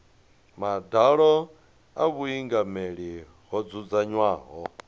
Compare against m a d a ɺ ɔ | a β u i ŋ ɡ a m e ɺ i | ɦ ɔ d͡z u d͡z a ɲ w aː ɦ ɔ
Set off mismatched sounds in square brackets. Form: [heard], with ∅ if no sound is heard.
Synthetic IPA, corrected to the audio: m a d a ɺ ɔ | a β u i ŋ ɡ a m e ɺ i | ɦ ɔ d͡z u d͡z a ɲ w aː ɦ ɔ